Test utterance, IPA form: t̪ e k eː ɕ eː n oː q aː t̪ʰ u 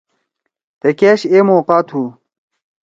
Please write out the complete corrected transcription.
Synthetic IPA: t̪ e k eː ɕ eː m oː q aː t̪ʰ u